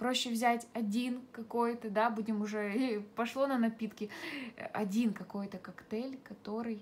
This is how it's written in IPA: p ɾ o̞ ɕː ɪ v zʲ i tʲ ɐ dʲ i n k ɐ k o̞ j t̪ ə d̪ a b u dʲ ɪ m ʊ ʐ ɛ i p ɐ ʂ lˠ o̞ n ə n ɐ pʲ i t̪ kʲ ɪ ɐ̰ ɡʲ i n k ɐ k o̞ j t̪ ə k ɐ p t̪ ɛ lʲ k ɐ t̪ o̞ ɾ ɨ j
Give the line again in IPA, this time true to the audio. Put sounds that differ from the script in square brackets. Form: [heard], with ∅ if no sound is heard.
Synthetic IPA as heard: p ɾ o̞ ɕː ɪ v zʲ [æ] tʲ ɐ dʲ i n k ɐ k o̞ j t̪ ə d̪ a b u dʲ ɪ m ʊ ʐ ɛ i p ɐ ʂ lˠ o̞ n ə n ɐ pʲ i t̪ kʲ ɪ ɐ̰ [dʲ] i n k ɐ k o̞ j t̪ ə k ɐ [k] t̪ ɛ lʲ k ɐ t̪ o̞ ɾ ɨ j